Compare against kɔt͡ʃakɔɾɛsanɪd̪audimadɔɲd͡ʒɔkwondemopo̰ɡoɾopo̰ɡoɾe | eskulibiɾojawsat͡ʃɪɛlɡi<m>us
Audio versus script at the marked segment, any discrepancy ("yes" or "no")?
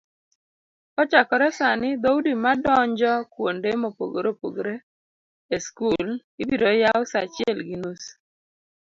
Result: yes